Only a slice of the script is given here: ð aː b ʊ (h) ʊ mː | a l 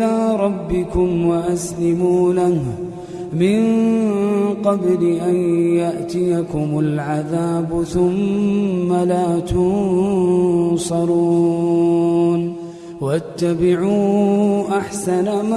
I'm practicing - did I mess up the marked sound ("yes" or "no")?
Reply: yes